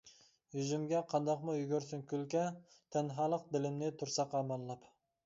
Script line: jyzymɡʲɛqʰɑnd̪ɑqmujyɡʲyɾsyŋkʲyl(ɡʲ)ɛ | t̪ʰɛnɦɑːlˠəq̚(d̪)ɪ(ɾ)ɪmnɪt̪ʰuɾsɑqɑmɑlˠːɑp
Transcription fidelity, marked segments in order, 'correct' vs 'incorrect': incorrect, correct, incorrect

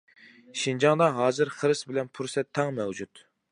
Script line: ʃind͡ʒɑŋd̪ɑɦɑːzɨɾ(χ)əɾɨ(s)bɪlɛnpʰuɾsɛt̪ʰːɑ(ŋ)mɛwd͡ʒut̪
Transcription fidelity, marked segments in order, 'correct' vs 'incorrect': correct, correct, correct

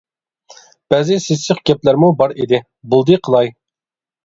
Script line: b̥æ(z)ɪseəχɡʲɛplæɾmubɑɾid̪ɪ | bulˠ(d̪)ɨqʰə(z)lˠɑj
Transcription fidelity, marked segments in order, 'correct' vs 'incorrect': correct, correct, incorrect

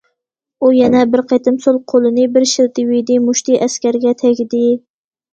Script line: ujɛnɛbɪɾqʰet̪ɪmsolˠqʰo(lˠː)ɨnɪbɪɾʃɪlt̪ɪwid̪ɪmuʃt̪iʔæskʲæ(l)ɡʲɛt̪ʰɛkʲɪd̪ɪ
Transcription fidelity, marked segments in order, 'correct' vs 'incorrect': incorrect, incorrect

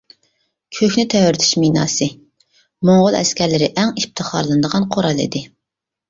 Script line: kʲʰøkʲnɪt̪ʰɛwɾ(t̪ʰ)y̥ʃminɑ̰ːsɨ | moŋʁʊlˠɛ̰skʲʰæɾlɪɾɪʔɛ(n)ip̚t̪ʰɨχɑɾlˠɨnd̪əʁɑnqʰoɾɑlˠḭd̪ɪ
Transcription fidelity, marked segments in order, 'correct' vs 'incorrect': correct, incorrect

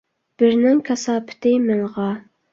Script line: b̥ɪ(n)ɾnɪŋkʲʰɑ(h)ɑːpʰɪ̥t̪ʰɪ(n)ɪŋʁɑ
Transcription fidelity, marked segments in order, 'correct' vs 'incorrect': incorrect, incorrect, incorrect

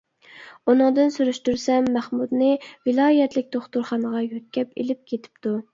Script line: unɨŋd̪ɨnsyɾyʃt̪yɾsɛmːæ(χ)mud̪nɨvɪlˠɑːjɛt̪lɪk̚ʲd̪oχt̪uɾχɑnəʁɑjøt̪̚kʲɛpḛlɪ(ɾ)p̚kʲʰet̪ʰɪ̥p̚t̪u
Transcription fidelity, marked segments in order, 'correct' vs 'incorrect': correct, incorrect

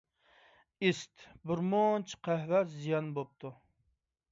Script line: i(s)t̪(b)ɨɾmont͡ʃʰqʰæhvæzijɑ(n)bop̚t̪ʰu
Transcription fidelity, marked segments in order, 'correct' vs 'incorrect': correct, correct, correct

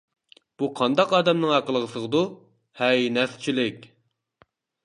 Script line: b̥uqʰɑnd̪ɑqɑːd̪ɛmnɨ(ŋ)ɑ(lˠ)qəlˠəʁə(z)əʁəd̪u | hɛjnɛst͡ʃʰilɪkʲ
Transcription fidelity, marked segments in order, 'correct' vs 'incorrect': correct, incorrect, incorrect

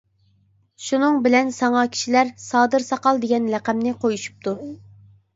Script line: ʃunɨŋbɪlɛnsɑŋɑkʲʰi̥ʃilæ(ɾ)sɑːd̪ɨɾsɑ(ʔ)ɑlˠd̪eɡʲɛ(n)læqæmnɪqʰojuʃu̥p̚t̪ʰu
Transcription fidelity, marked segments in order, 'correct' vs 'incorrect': correct, incorrect, correct

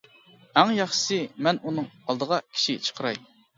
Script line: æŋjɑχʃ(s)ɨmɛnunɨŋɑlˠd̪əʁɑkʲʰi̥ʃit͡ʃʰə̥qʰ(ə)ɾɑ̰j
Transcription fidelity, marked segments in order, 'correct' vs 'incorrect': correct, correct

